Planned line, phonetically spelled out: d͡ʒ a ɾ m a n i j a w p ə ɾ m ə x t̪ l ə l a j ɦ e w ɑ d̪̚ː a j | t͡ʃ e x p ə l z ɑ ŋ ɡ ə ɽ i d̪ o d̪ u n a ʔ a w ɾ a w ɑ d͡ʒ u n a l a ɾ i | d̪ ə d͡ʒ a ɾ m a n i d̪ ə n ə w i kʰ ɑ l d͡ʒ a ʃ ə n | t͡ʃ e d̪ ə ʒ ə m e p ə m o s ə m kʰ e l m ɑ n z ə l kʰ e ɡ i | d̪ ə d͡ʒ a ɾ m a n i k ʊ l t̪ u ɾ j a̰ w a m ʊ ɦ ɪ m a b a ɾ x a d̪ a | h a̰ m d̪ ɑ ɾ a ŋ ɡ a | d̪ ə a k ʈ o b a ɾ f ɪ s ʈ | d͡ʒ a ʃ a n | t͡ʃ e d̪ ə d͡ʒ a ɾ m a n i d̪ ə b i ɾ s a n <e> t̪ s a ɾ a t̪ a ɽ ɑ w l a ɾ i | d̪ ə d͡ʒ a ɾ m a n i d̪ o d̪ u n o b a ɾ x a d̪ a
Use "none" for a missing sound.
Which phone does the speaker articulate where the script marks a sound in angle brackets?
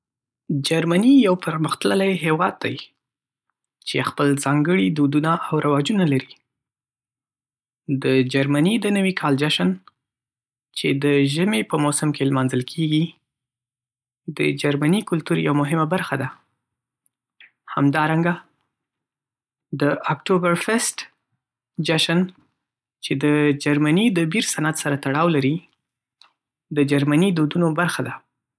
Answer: a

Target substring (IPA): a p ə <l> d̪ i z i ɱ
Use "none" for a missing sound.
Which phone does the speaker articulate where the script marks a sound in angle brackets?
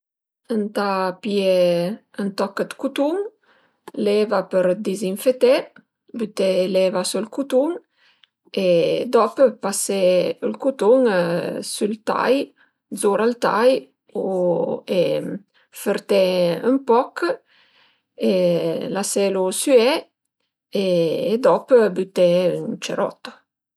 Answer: ɾ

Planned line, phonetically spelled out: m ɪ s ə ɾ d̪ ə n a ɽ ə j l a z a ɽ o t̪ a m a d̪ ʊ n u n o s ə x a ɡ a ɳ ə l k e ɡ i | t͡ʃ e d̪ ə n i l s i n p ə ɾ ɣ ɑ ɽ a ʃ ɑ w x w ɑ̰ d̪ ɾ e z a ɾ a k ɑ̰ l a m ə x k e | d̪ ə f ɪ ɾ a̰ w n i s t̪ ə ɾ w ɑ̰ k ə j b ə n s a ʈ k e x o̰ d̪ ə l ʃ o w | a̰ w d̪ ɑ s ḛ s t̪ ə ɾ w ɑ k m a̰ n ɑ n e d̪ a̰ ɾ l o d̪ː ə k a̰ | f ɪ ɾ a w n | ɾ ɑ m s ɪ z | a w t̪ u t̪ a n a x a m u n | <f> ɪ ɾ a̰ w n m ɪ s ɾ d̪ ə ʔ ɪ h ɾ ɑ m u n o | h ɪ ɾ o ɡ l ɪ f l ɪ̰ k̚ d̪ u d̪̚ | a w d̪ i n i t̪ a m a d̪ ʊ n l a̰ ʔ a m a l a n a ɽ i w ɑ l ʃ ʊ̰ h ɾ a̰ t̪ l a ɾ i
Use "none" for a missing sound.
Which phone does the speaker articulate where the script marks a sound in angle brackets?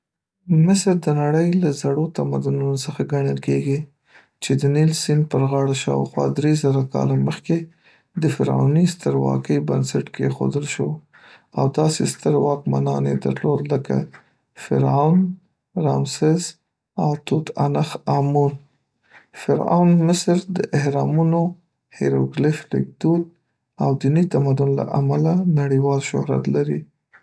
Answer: f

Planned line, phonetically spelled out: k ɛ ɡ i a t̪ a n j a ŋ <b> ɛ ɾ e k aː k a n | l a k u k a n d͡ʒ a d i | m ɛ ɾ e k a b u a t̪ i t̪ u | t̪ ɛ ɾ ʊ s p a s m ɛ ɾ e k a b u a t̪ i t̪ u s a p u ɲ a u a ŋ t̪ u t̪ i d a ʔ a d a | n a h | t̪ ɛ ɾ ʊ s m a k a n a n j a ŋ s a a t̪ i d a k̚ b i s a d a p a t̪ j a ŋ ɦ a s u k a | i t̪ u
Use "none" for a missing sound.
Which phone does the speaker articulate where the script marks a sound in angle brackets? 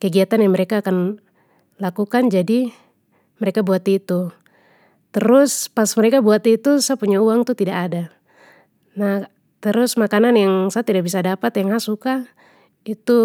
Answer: m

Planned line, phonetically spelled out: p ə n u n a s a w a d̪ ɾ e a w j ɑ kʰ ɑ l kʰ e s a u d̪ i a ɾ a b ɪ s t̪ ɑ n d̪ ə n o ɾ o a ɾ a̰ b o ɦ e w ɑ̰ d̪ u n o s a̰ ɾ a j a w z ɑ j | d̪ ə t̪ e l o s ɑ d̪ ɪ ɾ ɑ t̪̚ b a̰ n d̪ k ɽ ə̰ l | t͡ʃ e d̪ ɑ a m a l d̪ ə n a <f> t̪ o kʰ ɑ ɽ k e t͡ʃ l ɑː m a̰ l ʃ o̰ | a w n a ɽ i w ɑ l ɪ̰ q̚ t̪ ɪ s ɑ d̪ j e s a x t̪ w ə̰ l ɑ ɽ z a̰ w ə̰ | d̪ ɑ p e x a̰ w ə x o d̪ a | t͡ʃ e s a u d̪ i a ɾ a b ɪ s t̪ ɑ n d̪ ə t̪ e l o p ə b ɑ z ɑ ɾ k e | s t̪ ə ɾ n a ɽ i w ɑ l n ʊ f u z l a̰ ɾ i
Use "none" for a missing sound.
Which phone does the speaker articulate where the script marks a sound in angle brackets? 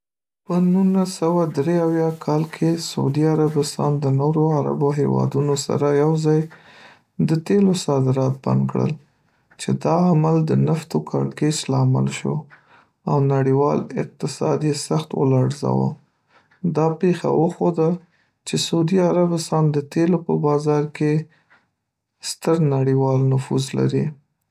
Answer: f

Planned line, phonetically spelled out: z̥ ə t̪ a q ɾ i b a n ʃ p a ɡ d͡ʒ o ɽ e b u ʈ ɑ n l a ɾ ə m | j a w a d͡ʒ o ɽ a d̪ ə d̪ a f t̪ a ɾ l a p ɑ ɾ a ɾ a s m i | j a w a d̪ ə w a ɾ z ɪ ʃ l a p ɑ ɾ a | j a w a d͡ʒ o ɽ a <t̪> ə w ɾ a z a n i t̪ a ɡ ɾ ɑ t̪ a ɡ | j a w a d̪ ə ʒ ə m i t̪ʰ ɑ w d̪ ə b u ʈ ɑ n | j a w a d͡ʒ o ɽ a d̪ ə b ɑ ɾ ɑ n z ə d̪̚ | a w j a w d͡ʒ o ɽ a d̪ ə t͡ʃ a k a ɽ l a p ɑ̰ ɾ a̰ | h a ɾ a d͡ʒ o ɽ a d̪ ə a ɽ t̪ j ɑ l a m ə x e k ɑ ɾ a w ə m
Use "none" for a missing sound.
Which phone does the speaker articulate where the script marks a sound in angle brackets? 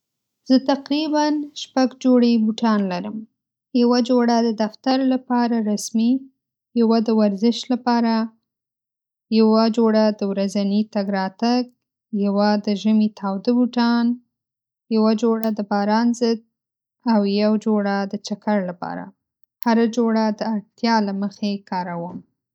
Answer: d̪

